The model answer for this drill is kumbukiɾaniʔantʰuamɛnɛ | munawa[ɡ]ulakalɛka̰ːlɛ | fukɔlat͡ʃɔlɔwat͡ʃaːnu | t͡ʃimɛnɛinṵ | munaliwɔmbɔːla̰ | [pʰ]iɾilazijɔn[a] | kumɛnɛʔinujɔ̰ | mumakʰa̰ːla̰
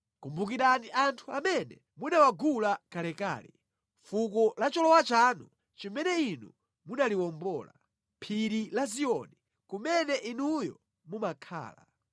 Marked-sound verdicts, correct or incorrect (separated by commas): correct, correct, incorrect